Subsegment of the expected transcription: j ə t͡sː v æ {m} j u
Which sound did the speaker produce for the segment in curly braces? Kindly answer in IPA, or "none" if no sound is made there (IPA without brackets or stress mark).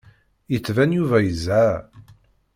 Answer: n